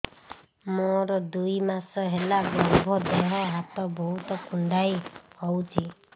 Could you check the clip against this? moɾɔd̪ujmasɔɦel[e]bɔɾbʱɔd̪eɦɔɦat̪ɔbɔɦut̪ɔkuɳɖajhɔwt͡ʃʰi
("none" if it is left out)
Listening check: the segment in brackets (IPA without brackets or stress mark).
a